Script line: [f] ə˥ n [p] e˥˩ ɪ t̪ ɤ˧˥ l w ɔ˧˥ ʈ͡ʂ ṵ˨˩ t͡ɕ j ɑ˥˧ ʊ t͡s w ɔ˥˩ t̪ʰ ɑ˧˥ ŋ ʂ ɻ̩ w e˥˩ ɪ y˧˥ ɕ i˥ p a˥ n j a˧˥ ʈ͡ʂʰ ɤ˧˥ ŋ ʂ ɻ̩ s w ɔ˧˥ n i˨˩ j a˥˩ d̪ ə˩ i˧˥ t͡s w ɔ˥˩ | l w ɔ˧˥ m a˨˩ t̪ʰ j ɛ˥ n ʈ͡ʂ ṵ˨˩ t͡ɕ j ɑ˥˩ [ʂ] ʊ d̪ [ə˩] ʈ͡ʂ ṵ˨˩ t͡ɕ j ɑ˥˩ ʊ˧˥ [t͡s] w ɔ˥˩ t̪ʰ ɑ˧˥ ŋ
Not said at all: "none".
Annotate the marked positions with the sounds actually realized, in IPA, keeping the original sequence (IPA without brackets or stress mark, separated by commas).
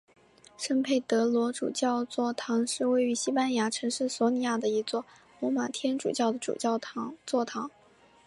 ʂ, pʰ, none, ə˩, t͡s